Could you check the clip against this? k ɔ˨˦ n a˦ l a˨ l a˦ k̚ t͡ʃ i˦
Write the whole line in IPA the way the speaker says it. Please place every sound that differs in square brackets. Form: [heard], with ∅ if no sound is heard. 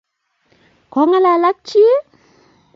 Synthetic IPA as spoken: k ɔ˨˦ [ŋ] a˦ l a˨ l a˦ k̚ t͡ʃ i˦

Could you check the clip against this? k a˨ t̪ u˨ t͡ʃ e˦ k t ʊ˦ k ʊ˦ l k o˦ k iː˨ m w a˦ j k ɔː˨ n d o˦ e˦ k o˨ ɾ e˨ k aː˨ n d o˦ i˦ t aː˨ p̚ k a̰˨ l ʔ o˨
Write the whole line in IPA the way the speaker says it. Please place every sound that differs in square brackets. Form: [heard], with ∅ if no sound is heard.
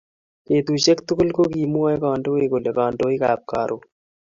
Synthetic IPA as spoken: k [e˨] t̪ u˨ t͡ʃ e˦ k t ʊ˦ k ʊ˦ l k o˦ k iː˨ m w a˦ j k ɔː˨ n d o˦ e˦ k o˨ [l] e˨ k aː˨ n d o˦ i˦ [k] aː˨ p̚ k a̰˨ [ɾ] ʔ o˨

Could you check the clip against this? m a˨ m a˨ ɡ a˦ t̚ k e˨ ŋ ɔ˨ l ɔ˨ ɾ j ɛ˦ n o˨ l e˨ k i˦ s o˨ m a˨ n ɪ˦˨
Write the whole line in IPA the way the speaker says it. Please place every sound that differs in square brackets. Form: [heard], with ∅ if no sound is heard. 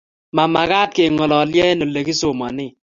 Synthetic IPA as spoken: m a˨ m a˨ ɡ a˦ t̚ k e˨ ŋ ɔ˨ l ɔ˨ [l] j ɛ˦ n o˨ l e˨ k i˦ s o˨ m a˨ n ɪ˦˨

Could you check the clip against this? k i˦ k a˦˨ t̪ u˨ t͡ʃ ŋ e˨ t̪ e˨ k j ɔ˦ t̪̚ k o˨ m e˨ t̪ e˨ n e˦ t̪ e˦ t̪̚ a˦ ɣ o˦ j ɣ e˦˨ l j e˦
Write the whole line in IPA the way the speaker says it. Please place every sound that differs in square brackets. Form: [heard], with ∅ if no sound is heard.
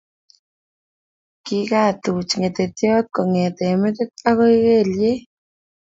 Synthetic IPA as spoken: k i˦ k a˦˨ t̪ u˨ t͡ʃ ŋ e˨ t̪ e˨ [t] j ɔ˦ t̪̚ k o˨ [ŋ] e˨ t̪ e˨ [m] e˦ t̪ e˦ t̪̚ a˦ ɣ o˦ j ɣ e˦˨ l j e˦

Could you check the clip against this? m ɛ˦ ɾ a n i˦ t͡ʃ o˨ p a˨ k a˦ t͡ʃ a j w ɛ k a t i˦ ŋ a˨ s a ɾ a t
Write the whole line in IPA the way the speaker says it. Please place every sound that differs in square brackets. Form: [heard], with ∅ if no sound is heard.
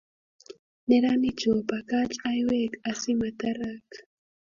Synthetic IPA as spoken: [n] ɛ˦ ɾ a n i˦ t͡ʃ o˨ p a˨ k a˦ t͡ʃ a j w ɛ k a [s] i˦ [m] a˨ [t] a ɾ a [k]

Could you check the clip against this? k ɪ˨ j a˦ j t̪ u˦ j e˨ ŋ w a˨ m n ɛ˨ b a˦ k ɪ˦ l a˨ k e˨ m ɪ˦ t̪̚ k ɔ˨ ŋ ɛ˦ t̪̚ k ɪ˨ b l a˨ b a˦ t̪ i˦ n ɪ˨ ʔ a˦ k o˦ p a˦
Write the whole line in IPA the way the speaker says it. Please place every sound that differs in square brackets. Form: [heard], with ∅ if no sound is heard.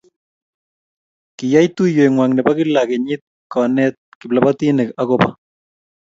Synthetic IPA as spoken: k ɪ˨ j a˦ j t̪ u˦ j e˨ ŋ w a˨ [ŋ] n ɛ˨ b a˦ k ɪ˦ l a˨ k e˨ [ɲ] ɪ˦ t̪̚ k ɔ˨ [n] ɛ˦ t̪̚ k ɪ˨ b l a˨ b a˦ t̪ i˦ n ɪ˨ [k] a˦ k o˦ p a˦

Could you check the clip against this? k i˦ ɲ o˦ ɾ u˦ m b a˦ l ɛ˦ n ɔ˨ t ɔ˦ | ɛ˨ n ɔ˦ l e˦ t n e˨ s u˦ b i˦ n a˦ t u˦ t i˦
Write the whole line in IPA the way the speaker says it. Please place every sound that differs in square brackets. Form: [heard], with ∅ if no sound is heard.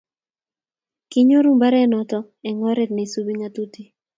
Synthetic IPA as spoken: k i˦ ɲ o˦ ɾ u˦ m b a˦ [ɾ] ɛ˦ n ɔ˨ t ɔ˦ | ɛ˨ [ŋ] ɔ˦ [ɾ] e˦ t n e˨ s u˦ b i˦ [ŋ] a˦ t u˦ t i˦

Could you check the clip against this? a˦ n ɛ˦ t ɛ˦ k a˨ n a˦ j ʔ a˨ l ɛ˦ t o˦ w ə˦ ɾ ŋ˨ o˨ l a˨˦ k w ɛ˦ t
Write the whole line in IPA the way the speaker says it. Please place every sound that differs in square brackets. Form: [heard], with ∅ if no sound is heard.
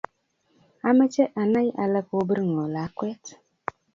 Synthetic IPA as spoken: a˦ [m] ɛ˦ [t͡ʃ] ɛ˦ [ʔ] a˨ n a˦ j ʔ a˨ l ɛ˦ [k] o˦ [b] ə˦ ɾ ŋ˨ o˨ l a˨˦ k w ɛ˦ t

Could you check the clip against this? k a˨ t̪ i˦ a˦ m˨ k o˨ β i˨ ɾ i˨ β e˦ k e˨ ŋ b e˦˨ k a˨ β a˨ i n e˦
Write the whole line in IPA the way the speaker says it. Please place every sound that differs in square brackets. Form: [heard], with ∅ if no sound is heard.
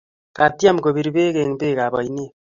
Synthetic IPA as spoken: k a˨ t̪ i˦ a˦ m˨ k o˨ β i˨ ɾ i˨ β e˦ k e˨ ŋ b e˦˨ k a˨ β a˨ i n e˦

